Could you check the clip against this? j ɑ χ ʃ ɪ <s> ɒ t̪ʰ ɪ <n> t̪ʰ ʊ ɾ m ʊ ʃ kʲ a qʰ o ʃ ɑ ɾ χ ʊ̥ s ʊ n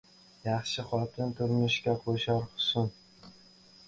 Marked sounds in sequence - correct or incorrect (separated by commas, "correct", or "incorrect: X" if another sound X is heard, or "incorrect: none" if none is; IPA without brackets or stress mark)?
incorrect: χ, correct